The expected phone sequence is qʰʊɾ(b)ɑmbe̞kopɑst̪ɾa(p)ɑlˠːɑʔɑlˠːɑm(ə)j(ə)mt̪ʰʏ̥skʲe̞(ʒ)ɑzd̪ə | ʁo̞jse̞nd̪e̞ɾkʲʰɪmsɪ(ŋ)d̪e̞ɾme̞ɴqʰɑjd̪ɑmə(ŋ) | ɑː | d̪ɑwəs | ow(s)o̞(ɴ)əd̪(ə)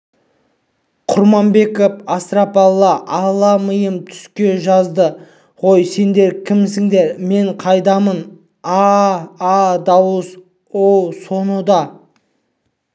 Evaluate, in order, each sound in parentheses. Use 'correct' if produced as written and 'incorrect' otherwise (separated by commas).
incorrect, correct, correct, correct, correct, correct, incorrect, correct, incorrect, incorrect